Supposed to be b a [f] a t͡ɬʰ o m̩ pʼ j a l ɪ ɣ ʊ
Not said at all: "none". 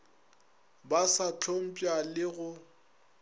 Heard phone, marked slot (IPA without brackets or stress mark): s